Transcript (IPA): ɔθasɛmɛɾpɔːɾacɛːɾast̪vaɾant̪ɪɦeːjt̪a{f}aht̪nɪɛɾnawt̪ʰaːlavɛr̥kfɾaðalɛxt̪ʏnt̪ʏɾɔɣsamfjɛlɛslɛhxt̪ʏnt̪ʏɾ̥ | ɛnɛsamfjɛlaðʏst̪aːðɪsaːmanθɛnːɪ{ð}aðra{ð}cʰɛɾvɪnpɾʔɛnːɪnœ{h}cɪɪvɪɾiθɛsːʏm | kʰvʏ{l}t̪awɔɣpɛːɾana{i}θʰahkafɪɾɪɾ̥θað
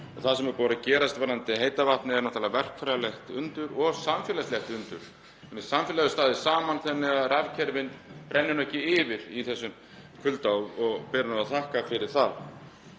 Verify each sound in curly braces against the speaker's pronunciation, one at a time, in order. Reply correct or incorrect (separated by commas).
incorrect, incorrect, incorrect, correct, correct, incorrect